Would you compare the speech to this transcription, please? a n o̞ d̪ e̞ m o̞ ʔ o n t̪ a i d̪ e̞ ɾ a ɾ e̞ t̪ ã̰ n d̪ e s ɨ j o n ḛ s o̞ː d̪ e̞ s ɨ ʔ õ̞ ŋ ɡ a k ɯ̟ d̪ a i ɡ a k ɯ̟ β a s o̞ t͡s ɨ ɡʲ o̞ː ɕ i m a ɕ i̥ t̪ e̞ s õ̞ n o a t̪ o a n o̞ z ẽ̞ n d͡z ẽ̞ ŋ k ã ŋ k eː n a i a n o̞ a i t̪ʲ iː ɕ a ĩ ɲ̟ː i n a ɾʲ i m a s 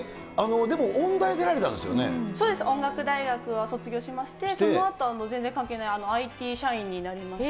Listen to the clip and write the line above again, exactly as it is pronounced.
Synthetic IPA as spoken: a n o̞ d̪ e̞ m o̞ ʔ õ n d̪ a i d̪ e̞ ɾ a ɾ e̞ t̪ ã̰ n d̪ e s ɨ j o n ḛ s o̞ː d̪ e̞ s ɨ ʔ õ̞ ŋ ɡ a k ɯ̟ d̪ a i ɡ a k ɯ̟ β a s o̞ t͡s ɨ ɡʲ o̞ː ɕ i m a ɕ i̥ t̪ e̞ s o̞ n o a t̪ o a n o̞ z ẽ̞ n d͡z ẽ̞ ŋ k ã ŋ k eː n a i a n o̞ a i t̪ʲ iː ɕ a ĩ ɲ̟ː i n a ɾʲ i m a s